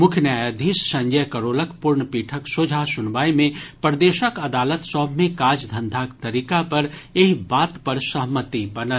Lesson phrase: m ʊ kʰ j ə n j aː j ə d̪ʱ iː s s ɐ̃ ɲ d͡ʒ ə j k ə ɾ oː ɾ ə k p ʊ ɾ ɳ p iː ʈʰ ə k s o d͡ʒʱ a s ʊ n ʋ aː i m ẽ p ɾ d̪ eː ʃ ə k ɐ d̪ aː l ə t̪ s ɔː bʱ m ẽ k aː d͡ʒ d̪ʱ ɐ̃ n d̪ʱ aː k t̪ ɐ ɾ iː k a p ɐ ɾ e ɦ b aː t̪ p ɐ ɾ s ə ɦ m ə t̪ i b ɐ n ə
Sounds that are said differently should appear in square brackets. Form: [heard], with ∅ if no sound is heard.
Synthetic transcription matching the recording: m ʊ kʰ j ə n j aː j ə d̪ʱ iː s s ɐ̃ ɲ d͡ʒ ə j k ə ɾ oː [l] ə k p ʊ ɾ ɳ p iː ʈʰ ə k s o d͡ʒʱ a s ʊ n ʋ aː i m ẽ p ɾ d̪ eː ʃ ə k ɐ d̪ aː l ə t̪ s ɔː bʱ m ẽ k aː d͡ʒ d̪ʱ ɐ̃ n d̪ʱ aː k t̪ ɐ ɾ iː k a p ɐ ɾ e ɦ b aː t̪ p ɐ ɾ s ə ɦ m ə t̪ i b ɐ n ə

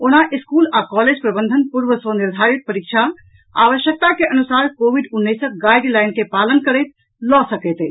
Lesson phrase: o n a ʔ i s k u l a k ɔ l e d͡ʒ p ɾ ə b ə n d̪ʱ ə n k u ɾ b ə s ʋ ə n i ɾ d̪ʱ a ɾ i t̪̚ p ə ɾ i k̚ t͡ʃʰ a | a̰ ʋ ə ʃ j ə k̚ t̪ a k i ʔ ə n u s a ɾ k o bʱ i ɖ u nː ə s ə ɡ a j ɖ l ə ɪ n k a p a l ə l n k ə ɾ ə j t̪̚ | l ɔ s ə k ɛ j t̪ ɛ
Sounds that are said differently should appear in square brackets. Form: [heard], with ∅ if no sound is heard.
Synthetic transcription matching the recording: o n a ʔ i s k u l a k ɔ l e d͡ʒ p ɾ ə b ə n d̪ʱ ə n [p] u ɾ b ə s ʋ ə n i ɾ d̪ʱ a ɾ i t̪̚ p ə ɾ i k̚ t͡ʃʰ a | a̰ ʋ ə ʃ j ə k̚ t̪ a k [e] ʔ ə n u s a ɾ k o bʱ i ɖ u nː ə s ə ɡ a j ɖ l [a] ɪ n k [e] p a l ə [∅] n k ə ɾ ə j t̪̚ | l ɔ s ə k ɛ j t̪ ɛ

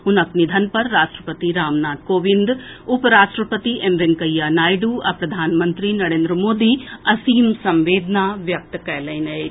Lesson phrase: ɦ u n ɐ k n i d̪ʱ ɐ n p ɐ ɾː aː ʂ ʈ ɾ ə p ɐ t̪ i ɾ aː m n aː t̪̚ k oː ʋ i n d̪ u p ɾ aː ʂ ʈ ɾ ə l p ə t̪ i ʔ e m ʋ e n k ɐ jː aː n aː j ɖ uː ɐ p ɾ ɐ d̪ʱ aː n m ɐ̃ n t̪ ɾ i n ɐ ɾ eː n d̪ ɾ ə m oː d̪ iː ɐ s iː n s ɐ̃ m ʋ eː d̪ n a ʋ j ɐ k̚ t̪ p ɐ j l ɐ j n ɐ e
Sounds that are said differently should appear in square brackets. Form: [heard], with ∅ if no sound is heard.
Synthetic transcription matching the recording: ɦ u n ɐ k n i d̪ʱ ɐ n p ɐ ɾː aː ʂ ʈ ɾ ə p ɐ t̪ i ɾ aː m n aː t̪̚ k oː ʋ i n d̪ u p ɾ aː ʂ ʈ ɾ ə [∅] p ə t̪ i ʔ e m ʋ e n k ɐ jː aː n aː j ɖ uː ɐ p ɾ ɐ d̪ʱ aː n m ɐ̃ n t̪ ɾ i n ɐ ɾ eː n d̪ ɾ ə m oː d̪ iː ɐ s iː [m] s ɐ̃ m ʋ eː d̪ n a ʋ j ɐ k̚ t̪ [k] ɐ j l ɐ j n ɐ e

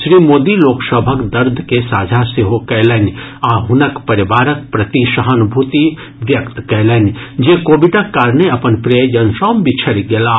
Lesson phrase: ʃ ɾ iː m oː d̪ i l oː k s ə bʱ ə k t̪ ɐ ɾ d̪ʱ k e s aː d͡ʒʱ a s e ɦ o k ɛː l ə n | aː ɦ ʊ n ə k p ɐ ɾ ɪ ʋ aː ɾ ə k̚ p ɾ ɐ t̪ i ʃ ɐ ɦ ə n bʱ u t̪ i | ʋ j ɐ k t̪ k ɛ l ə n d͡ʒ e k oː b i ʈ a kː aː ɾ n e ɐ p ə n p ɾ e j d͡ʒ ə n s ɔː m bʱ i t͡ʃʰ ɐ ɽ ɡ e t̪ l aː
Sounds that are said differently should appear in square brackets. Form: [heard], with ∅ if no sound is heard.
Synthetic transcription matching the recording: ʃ ɾ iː m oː d̪ i l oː k s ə bʱ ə k [d̪] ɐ ɾ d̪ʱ k e s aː d͡ʒʱ a s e ɦ o k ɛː l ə n | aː ɦ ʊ n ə k p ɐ ɾ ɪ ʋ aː ɾ ə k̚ p ɾ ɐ t̪ i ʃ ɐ ɦ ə n bʱ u t̪ i | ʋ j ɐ k t̪ k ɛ l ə n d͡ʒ e k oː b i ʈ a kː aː ɾ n e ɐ p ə n p ɾ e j d͡ʒ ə n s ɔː m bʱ i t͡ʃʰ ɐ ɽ ɡ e [∅] l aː

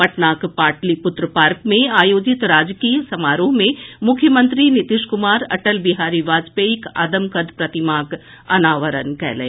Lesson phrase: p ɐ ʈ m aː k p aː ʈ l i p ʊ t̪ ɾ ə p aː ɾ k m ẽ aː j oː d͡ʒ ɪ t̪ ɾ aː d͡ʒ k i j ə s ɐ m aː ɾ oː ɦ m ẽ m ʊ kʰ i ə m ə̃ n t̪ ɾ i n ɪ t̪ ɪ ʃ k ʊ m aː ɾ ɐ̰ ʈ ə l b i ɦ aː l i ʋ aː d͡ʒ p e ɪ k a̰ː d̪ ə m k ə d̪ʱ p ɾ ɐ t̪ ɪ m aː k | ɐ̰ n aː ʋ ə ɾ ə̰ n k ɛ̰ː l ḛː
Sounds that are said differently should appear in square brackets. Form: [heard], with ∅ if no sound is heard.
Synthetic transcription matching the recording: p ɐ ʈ [n] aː k p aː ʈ l i p ʊ t̪ ɾ ə p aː ɾ k m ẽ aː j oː d͡ʒ ɪ t̪ ɾ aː d͡ʒ k i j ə s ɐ m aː ɾ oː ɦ m ẽ m ʊ kʰ [j] ə m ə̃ n t̪ ɾ i n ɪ t̪ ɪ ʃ k ʊ m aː ɾ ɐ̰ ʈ ə l b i ɦ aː [ɾ] i ʋ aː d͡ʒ p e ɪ k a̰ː d̪ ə m k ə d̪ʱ p ɾ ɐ t̪ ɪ m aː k | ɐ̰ n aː ʋ ə ɾ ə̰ n k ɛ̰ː l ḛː

